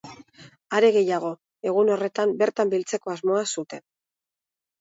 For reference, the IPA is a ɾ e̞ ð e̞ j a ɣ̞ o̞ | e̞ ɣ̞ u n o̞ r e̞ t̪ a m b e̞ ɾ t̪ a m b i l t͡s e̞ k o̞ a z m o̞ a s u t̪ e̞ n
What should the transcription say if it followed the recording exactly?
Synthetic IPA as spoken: a ɾ e̞ ɣ e̞ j a ɣ̞ o̞ | e̞ ɣ̞ u n o̞ r e̞ t̪ a m b e̞ ɾ t̪ a m b i l t͡s e̞ k o̞ a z m o̞ a s u t̪ e̞ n